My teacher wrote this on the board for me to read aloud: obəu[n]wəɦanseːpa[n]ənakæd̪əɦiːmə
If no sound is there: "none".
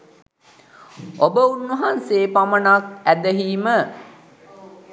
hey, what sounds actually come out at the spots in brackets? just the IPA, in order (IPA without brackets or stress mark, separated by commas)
n, m